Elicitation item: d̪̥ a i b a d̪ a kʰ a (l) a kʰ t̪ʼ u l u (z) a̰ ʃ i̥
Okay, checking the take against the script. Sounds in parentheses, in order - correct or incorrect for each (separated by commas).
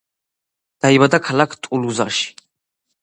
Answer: correct, correct